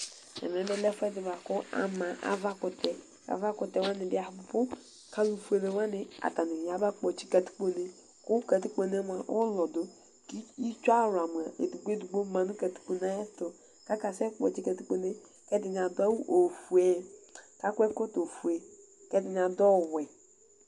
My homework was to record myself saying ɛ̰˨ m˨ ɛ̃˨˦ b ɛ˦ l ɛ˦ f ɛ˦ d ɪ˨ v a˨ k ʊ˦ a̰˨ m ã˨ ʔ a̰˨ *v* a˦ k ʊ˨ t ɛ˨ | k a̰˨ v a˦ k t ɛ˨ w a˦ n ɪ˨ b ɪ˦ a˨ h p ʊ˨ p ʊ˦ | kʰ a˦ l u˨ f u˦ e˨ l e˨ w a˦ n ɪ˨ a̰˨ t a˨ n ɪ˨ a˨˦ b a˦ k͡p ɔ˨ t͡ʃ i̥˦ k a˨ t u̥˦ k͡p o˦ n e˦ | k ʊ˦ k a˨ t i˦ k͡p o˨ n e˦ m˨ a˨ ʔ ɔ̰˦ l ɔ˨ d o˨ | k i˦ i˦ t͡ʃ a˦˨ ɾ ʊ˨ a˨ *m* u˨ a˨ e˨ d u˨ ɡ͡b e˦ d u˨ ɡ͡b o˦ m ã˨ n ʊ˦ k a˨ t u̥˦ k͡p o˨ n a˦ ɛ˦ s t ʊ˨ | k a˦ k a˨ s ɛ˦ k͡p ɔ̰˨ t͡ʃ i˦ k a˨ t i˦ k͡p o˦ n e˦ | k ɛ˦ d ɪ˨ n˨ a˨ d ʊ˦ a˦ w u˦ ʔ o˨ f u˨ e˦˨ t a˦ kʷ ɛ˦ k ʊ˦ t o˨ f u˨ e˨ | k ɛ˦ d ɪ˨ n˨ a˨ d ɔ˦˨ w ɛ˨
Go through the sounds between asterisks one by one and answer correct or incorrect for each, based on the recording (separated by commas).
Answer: correct, correct